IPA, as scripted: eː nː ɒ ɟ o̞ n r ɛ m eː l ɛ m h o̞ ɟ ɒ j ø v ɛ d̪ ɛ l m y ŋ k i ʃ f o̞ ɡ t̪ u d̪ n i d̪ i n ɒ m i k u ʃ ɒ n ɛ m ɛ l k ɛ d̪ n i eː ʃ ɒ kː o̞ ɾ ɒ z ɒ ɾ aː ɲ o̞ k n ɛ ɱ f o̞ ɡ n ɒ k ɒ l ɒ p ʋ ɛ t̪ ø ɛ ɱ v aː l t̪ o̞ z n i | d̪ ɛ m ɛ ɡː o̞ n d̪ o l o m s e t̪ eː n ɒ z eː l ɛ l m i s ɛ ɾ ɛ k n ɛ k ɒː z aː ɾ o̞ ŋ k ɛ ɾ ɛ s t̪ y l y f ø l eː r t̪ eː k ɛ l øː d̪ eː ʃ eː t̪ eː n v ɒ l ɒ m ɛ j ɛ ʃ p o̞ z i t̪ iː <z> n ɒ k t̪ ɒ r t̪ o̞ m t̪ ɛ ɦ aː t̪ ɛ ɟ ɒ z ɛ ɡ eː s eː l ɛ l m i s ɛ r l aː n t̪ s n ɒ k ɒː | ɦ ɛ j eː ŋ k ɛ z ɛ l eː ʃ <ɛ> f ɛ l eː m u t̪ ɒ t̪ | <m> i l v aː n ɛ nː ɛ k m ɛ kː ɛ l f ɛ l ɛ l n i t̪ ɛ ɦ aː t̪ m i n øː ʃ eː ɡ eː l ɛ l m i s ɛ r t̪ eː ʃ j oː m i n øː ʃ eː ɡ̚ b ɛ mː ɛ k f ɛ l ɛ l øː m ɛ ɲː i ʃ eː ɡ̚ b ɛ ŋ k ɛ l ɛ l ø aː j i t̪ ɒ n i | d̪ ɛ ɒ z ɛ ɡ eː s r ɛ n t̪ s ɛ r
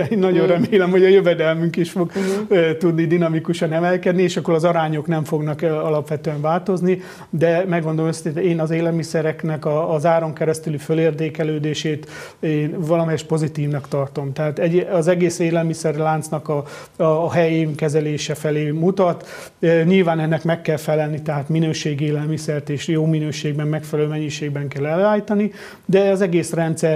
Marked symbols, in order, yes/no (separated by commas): no, yes, no